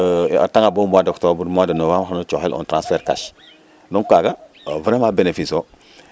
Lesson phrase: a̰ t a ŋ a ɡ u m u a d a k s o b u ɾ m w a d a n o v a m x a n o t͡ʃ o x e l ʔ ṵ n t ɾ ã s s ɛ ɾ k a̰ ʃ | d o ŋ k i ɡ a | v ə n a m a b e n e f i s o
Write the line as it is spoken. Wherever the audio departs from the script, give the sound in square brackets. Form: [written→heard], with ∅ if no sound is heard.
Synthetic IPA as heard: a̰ t a ŋ a [ɡ→b] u m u a d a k [s→t] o b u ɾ m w a d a n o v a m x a n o t͡ʃ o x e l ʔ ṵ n t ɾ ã s [s→f] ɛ ɾ k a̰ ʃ | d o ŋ k [i→a] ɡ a | v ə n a m a b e n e f i s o